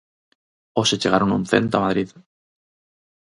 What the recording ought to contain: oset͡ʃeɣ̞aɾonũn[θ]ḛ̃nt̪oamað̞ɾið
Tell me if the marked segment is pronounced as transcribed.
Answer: yes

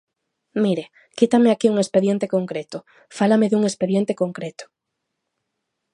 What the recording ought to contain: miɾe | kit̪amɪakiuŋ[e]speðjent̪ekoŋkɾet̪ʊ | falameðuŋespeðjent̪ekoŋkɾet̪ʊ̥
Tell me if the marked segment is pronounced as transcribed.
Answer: yes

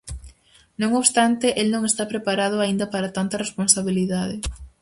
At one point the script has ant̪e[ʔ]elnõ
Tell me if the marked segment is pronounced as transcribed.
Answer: yes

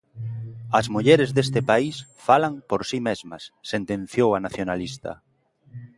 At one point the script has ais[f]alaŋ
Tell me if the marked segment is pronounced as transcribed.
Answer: yes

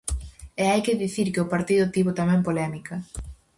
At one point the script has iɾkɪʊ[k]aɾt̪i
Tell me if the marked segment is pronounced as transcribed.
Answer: no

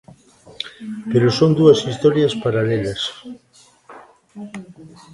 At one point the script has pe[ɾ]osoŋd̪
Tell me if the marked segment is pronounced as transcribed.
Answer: yes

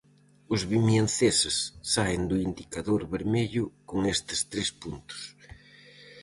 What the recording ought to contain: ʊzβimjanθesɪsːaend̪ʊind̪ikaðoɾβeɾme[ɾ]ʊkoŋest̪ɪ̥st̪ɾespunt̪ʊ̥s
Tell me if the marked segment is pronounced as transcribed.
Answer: no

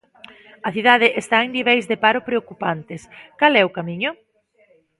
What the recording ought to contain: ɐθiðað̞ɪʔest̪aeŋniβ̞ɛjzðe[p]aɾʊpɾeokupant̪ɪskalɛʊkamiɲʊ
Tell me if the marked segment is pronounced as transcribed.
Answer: yes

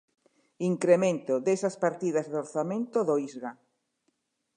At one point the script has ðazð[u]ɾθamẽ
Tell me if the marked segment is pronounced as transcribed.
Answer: no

